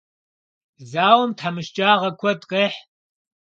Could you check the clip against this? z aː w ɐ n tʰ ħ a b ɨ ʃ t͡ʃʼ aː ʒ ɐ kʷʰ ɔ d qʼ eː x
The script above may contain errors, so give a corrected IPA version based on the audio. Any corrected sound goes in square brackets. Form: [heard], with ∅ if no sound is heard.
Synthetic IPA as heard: z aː w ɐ [m] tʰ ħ a [m] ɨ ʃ t͡ʃʼ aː [ʁ] ɐ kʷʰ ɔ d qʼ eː [ħ]